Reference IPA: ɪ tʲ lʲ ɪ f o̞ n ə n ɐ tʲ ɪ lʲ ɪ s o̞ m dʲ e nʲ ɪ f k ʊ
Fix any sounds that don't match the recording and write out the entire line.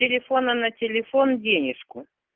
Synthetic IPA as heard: ɪ lʲ ɪ f o̞ n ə n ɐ tʲ ɪ lʲ ɪ f o̞ n dʲ e nʲ ɪ ʂ k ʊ